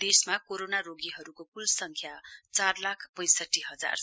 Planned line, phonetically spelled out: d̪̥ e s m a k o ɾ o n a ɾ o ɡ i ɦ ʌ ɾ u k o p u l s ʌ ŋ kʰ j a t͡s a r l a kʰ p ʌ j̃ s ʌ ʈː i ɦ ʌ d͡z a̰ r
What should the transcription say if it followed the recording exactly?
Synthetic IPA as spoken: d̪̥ e s m a k o ɾ o n a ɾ o ɡ i ɦ ʌ ɾ u k o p u l s ʌ ŋ kʰ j a t͡s a r l a kʰ p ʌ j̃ s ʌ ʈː i ɦ ʌ d͡z a̰ r